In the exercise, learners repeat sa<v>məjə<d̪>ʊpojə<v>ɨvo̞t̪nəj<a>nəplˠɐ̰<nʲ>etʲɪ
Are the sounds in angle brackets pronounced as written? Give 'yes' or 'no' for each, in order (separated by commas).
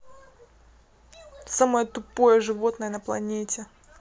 no, no, no, no, yes